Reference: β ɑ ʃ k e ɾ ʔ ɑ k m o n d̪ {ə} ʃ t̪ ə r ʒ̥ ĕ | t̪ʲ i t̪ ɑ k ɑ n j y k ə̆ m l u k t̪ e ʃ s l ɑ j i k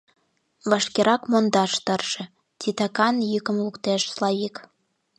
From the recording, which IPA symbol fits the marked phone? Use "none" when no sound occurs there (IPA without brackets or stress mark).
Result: ɑ